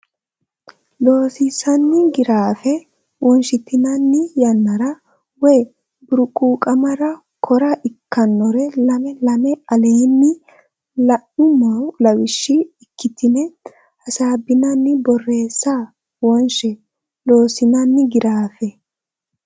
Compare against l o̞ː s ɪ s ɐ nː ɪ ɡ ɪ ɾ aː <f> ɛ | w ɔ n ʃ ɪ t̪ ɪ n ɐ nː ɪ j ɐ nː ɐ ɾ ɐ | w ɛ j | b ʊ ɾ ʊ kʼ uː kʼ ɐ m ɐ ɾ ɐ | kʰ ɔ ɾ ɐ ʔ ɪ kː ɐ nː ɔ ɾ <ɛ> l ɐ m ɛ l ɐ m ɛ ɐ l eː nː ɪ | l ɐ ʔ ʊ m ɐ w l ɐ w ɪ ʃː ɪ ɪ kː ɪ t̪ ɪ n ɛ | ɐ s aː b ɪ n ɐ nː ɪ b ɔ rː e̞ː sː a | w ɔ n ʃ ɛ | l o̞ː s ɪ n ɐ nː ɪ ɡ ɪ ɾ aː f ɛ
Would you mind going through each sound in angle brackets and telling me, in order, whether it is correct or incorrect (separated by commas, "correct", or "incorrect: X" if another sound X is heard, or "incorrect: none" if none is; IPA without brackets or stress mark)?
correct, correct